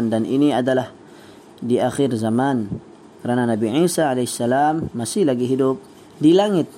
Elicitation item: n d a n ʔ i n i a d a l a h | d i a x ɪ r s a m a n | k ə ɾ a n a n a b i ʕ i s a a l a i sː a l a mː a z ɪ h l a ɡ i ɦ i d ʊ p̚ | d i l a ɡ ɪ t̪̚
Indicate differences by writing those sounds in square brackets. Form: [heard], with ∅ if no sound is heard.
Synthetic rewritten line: n d a n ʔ i n i a d a l a h | d i a x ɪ r [z] a m a n | k ə ɾ a n a n a b i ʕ i s a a l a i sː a l a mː a [s] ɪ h l a ɡ i ɦ i d ʊ p̚ | d i l a [ŋ] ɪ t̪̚